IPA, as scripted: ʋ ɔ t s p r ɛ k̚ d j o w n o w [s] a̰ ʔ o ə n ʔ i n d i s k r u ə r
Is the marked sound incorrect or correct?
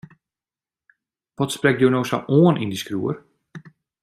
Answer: correct